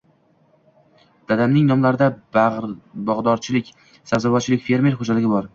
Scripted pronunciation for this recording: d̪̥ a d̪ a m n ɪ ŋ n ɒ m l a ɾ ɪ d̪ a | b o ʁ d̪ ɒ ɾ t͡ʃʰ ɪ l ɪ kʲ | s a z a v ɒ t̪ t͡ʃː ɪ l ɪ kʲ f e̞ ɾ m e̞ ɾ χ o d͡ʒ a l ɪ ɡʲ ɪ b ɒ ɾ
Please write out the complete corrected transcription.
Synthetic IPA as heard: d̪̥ a d̪ a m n ɪ ŋ n ɒ m l a ɾ ɪ d̪ a | b ɒ ʁ d̪ ɒ ɾ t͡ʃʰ ɪ l ɪ kʲ | s a z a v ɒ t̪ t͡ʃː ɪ l ɪ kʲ f e̞ ɾ m e̞ ɾ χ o d͡ʒ a l ɪ ɡʲ ɪ b ɒ ɾ

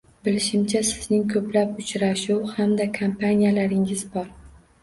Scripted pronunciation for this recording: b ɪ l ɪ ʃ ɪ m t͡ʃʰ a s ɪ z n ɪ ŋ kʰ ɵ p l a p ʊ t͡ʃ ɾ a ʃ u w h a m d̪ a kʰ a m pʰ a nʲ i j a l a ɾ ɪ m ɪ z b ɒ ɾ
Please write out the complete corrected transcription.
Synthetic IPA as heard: b ɪ l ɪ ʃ ɪ m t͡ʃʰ a s ɪ z n ɪ ŋ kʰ ɵ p l a p ʊ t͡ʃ ɾ a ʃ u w h a m d̪ a kʰ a m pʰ a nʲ i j a l a ɾ ɪ ŋ ɪ z b ɒ ɾ

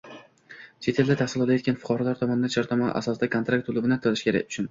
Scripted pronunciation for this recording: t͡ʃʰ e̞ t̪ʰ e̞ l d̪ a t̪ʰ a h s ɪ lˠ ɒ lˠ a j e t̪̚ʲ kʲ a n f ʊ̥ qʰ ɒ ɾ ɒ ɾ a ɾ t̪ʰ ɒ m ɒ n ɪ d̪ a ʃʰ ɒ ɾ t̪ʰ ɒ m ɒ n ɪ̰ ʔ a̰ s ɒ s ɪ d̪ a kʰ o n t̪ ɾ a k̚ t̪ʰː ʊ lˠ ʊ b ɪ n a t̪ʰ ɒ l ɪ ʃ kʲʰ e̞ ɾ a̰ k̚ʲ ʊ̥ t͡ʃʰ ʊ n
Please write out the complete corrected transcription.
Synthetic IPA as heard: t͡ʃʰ e̞ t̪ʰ e̞ l d̪ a t̪ʰ a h s ɪ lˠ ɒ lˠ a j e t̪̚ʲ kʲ a n f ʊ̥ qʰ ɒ ɾ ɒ l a ɾ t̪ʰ ɒ m ɒ n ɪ d̪ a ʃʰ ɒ ɾ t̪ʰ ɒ m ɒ n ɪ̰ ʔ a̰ s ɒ s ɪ d̪ a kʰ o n t̪ ɾ a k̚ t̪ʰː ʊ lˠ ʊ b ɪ n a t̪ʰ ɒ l ɪ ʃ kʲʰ e̞ ɾ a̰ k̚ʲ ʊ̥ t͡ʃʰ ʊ n

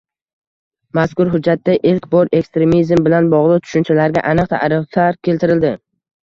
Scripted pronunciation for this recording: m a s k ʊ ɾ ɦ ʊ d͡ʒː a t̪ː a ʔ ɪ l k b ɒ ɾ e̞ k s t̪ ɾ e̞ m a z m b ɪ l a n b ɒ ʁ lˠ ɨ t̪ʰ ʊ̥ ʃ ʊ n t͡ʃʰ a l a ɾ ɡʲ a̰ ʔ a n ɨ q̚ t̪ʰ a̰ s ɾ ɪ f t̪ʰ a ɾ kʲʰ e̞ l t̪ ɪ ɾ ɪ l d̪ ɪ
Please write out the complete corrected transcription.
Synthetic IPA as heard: m a s k ʊ ɾ ɦ ʊ d͡ʒː a t̪ː a ʔ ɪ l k b ɒ ɾ e̞ k s t̪ ɾ e̞ m i z m b ɪ l a n b ɒ ʁ lˠ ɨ t̪ʰ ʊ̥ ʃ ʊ n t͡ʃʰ a l a ɾ ɡʲ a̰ ʔ a n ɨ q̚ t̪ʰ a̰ ɾ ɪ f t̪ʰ a ɾ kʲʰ e̞ l t̪ ɪ ɾ ɪ l d̪ ɪ

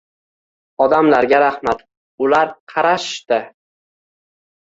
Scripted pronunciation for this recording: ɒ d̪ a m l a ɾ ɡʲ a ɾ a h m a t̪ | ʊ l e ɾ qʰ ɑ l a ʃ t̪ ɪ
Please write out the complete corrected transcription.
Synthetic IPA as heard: ɒ d̪ a m l a ɾ ɡʲ a ɾ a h m a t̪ | ʊ l a ɾ qʰ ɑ ɾ a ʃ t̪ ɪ

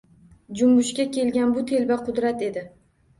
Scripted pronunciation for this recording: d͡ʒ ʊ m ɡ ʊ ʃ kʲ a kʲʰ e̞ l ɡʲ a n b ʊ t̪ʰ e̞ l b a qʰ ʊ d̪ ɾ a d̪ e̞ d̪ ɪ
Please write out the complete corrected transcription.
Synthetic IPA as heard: d͡ʒ ʊ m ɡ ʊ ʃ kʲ a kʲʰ e̞ l ɡʲ a n b ʊ t̪ʰ e̞ l b a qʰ ʊ d̪ ɾ a t̪ e̞ d̪ ɪ

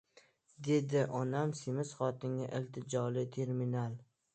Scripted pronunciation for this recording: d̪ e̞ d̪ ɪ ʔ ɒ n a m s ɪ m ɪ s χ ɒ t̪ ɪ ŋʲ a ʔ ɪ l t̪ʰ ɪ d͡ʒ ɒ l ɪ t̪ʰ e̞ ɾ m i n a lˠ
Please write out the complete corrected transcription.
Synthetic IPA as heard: d̪ e̞ d̪ ɪ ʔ ɒ n a m s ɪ m ɪ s χ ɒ t̪ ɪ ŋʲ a ʔ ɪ l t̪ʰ ɪ d͡ʒ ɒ l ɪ t̪ʰ e̞ ɾ m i n a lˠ

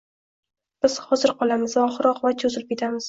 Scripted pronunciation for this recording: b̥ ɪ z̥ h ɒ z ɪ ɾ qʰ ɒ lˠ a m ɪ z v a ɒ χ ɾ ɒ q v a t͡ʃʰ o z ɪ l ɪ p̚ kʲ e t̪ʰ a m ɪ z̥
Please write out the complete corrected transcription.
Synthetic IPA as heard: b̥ ɪ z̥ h ɒ z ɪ ɾ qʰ ɒ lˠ a m ɪ z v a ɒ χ ɾ ɒ q v a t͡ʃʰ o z ɪ l ɪ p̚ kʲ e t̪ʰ a m ɪ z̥

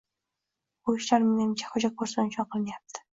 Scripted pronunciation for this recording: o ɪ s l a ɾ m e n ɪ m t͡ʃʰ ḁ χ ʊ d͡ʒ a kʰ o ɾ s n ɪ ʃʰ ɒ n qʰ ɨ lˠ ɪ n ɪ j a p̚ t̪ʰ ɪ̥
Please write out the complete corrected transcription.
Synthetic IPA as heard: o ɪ ʃ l a ɾ m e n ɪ m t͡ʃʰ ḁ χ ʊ d͡ʒ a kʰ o ɾ s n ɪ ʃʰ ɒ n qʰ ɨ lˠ ɪ n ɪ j a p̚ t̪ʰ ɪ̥

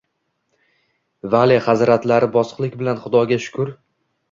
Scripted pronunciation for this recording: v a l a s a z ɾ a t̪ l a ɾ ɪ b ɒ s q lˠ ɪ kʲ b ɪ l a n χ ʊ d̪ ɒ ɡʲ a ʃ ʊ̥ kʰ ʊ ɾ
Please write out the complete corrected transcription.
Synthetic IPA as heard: v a l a χ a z ɾ a t̪ l a ɾ ɪ b ɒ s q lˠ ɪ kʲ b ɪ l a n χ ʊ d̪ ɒ ɡʲ a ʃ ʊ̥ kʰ ʊ ɾ

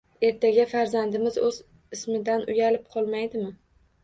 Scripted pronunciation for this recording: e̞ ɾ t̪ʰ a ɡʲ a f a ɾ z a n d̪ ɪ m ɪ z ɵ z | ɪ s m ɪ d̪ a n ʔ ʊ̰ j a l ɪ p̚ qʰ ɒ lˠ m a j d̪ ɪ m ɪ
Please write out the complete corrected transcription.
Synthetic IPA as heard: e̞ ɾ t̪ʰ a ɡʲ a f a ɾ z a n d̪ ɪ m ɪ z ɵ z | ɪ s m ɪ d̪ a n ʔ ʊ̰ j a l ɪ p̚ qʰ ɒ lˠ m a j d̪ ɪ m ɪ

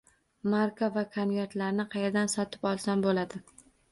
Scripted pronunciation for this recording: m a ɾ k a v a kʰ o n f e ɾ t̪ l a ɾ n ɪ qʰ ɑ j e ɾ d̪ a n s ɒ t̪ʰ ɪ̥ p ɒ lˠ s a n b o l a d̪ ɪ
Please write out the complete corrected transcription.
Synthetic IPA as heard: m a ɾ k a v a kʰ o n v e ɾ t̪ l a ɾ n ɪ qʰ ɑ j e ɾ d̪ a n s ɒ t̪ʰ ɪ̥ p ɒ lˠ s a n b o l a d̪ ɪ

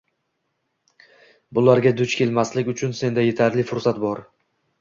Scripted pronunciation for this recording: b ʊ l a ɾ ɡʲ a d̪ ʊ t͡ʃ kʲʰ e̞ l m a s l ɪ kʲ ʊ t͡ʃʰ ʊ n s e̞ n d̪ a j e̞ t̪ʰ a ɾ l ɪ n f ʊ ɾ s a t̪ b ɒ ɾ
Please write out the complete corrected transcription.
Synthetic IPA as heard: b ʊ l a ɾ ɡʲ a d̪ ʊ t͡ʃ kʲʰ e̞ l m a s l ɪ kʲ ʊ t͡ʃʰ ʊ n s e̞ n d̪ a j e̞ t̪ʰ a ɾ l ɪ f ʊ ɾ s a t̪ b ɒ ɾ

